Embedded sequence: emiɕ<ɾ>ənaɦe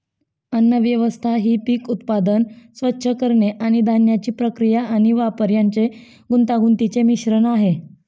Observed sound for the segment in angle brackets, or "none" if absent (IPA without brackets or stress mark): ɾ